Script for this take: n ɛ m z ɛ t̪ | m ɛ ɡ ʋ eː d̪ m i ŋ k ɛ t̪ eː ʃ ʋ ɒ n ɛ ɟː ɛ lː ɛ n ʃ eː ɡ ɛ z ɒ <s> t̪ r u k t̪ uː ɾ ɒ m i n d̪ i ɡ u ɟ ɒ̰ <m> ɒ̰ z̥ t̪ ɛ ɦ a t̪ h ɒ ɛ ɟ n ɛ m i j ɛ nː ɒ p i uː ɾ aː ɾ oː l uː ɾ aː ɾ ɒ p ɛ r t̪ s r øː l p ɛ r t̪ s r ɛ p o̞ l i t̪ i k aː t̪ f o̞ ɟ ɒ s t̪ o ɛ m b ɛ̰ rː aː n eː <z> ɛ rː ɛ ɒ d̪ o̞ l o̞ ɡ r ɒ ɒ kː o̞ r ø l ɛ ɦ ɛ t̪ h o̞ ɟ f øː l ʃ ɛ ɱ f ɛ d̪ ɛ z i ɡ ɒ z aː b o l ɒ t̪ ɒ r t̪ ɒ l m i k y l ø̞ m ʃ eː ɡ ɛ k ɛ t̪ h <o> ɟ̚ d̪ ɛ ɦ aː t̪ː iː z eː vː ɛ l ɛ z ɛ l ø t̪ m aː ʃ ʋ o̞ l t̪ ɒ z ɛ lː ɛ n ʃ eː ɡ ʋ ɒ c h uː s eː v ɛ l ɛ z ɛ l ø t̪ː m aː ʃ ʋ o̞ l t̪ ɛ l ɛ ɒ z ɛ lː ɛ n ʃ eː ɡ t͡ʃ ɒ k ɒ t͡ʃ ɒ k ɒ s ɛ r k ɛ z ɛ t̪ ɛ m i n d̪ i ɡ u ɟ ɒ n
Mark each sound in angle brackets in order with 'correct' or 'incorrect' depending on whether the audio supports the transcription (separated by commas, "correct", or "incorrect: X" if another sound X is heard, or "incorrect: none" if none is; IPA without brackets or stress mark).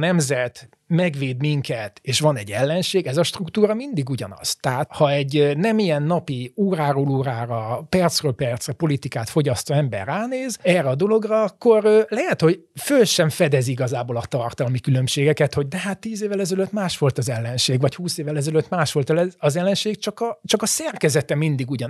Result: incorrect: ʃ, incorrect: n, correct, correct